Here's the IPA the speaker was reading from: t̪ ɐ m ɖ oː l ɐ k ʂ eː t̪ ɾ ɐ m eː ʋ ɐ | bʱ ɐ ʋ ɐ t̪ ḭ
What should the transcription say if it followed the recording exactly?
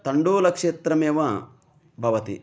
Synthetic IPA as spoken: t̪ ɐ ɳ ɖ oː l ɐ k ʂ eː t̪ ɾ ɐ m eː ʋ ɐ | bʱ ɐ ʋ ɐ t̪ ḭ

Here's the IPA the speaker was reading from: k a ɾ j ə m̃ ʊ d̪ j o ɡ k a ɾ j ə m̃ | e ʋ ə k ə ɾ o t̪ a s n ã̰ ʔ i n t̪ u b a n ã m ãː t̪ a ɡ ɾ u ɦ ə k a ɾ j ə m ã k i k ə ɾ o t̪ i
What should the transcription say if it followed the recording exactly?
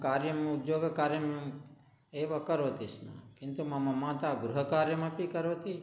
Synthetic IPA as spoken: k a ɾ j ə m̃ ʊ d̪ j o ɡ k a ɾ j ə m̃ | e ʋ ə k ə ɾ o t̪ i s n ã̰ k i n t̪ u m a m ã m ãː t̪ a ɡ ɾ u ɦ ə k a ɾ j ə m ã p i k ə ɾ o t̪ i

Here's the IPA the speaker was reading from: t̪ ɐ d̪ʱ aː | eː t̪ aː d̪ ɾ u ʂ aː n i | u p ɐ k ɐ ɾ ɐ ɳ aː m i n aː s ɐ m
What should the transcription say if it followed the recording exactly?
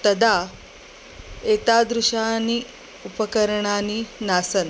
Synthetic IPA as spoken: t̪ ɐ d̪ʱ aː | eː t̪ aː d̪ ɾ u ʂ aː n i | u p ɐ k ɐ ɾ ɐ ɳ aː n i n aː s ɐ n

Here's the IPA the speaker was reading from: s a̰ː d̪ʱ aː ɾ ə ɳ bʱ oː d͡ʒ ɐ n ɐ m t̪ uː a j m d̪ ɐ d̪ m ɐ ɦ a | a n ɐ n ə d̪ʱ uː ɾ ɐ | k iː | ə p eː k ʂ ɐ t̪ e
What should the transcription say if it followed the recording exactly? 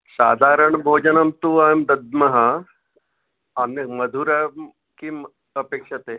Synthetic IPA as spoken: s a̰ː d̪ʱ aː ɾ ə ɳ bʱ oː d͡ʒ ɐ n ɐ m t̪ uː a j m d̪ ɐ d̪ m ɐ ɦ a | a n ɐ m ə d̪ʱ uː ɾ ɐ | k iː | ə p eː k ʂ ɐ t̪ e

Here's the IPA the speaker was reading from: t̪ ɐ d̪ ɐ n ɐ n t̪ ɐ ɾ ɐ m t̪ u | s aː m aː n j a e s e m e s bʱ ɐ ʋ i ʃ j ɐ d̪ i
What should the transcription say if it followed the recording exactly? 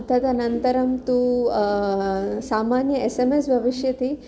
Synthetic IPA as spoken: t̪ ɐ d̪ ɐ n ɐ n t̪ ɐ ɾ ɐ m t̪ u | s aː m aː n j ɐ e s e m e s bʱ ɐ ʋ i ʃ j ɐ t̪ i

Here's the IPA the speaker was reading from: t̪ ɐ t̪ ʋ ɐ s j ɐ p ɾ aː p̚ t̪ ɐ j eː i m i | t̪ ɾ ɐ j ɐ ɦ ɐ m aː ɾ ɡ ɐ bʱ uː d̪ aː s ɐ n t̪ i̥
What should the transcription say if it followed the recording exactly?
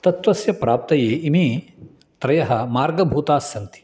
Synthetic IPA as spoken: t̪ ɐ t̪ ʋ ɐ s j ɐ p ɾ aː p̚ t̪ ɐ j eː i m i | t̪ ɾ ɐ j ɐ ɦ ɐ m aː ɾ ɡ ɐ bʱ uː t̪ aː s ɐ n t̪ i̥

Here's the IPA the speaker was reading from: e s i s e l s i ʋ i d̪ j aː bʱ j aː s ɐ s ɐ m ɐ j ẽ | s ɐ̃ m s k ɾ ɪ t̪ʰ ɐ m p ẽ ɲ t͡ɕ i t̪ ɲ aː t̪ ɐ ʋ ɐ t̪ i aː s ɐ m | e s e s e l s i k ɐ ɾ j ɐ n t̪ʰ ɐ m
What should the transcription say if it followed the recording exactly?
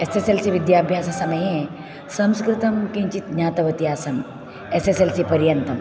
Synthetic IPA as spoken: e s e s e l s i ʋ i d̪ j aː bʱ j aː s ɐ s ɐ m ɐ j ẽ | s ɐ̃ m s k ɾ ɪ t̪ ɐ m k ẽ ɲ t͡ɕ i t̪ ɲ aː t̪ ɐ ʋ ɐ t̪ i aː s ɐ m | e s e s e l s i p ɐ ɾ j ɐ n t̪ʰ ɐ m

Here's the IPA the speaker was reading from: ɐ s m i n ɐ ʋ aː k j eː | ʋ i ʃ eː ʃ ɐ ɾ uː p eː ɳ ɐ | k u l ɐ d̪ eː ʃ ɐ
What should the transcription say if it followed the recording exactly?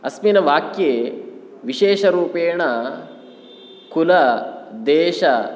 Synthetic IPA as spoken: ɐ s m i n ɐ ʋ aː k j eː | ʋ i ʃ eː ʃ ɐ ɾ uː p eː ɳ ɐ | k u l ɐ d̪ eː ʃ ɐ

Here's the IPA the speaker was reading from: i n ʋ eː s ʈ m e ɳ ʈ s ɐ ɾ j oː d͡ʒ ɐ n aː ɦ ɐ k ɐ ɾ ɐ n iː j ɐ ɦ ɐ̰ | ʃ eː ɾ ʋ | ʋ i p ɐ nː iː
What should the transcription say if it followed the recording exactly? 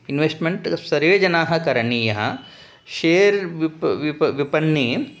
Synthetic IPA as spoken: i n ʋ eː s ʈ m e ɳ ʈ s ɐ ɾ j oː d͡ʒ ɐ n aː ɦ ɐ k ɐ ɾ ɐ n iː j ɐ ɦ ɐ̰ | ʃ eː ɾ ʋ | ʋ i p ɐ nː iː

